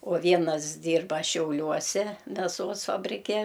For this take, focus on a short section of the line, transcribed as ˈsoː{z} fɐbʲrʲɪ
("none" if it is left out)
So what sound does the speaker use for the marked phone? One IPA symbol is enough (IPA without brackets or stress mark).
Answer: s